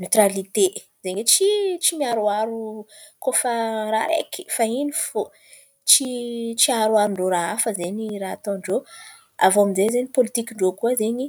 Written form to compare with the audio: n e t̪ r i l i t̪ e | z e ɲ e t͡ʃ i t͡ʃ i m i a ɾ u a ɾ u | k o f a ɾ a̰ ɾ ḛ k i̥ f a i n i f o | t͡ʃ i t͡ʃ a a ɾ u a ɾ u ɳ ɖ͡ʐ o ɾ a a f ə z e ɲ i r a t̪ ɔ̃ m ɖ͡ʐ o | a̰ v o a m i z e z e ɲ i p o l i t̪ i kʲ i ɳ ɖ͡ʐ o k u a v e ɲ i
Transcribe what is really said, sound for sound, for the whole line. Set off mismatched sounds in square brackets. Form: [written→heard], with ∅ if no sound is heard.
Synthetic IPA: n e t̪ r [i→a] l i t̪ e | z e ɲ e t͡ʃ i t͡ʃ i m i a ɾ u a ɾ u | k o f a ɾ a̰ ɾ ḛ k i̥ f a i n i f o | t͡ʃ i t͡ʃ [a→i] a ɾ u a ɾ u ɳ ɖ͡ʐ o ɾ a a f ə z e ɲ i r a t̪ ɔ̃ [m→ɳ] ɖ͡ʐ o | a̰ v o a m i z e z e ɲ i p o l i t̪ i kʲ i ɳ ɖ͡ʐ o k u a [v→z] e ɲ i